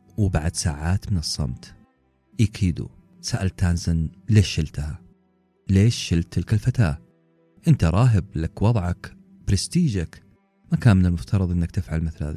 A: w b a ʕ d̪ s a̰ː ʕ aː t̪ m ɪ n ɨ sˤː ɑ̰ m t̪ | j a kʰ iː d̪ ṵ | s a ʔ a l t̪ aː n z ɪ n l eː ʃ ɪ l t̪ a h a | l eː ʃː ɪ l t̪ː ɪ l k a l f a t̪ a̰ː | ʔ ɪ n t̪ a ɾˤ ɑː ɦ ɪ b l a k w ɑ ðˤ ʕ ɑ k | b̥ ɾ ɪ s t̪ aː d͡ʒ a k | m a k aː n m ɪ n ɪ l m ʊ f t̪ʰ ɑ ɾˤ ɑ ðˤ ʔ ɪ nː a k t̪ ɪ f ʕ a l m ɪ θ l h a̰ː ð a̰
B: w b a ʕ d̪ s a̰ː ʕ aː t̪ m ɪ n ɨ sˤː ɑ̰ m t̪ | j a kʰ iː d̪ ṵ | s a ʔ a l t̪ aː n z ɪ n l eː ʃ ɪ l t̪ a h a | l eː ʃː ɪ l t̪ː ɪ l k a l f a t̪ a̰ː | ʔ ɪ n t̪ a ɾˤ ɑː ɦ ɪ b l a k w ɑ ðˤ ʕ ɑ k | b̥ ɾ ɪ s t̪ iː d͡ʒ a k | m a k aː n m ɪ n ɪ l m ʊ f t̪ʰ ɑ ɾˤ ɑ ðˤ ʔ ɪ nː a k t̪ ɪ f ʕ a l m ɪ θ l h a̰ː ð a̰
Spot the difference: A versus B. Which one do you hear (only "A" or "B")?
B